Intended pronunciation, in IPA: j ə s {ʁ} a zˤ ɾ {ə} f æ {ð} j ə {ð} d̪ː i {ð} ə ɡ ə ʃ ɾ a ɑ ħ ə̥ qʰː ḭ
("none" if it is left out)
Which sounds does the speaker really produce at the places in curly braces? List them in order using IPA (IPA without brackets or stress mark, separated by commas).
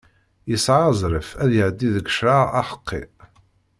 ʕ, ə, ð, ʕ, ð